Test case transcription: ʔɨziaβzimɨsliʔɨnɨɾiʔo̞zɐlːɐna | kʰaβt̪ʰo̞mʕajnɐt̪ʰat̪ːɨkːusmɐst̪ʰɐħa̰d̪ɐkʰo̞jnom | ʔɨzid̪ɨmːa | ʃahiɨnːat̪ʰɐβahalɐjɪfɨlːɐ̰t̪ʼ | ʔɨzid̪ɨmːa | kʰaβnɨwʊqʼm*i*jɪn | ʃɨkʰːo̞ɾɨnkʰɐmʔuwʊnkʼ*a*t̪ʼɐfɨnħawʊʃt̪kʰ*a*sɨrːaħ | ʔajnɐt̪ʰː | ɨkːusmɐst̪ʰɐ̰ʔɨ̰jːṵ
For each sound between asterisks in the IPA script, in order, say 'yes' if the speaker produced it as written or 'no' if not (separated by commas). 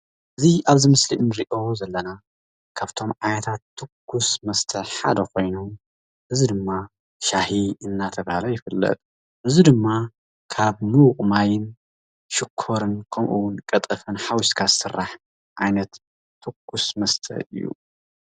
no, no, yes